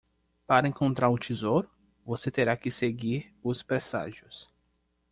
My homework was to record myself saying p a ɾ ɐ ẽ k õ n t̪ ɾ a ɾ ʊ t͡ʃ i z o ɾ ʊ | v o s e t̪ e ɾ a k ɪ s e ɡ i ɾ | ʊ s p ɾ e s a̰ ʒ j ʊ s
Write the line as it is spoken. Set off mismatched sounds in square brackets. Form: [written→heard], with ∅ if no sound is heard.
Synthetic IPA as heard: p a ɾ ɐ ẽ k õ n t̪ ɾ a ɾ ʊ t͡ʃ i z o ɾ ʊ | v o s e t̪ e ɾ a k ɪ s e ɡ i ɾ | ʊ s p ɾ e s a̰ ʒ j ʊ s